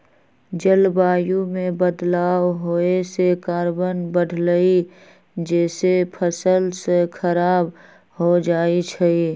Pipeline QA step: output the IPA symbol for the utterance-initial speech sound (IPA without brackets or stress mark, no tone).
d͡ʒ